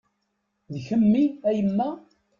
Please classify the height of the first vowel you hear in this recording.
mid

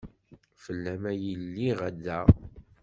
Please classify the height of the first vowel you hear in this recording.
mid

